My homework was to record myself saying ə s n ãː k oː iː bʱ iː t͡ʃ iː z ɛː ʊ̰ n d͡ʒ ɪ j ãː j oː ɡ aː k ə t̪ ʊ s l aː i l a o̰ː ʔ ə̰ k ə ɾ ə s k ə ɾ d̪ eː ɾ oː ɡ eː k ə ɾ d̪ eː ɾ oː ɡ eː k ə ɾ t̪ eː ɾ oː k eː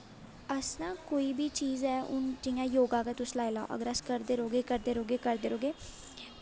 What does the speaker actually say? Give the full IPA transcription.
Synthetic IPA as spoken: ə s n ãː k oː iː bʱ iː t͡ʃ iː z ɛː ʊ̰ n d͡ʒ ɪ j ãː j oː ɡ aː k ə t̪ ʊ s l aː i l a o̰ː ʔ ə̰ ɡ ə ɾ ə s k ə ɾ d̪ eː ɾ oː ɡ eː k ə ɾ d̪ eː ɾ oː ɡ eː k ə ɾ d̪ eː ɾ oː ɡ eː